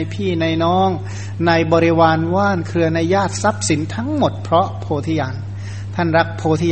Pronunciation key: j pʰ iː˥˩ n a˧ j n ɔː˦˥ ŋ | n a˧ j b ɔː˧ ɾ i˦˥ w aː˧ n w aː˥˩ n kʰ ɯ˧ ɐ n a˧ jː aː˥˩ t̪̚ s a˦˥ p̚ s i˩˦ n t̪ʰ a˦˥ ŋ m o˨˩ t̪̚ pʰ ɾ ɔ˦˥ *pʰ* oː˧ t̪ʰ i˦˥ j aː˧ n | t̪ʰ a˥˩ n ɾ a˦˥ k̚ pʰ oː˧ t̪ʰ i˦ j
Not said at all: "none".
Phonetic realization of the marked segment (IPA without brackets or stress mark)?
pʰ